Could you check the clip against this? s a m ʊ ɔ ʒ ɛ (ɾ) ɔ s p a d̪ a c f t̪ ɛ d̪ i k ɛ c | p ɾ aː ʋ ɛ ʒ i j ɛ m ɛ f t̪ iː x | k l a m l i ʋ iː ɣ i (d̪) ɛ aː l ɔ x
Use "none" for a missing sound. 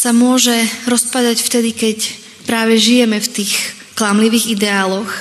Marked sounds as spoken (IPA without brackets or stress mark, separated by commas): ɾ, d̪